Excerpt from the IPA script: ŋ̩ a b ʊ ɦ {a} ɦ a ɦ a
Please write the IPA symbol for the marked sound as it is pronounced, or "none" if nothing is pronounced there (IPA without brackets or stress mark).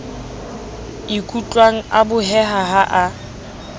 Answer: ɛ